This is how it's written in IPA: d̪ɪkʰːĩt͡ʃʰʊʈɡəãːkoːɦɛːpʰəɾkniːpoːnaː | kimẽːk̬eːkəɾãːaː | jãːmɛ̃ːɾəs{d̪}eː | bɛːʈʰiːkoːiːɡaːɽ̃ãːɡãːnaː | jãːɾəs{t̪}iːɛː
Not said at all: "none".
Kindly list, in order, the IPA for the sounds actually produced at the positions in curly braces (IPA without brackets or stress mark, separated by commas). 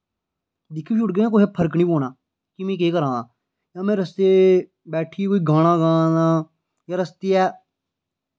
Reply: t̪, t̪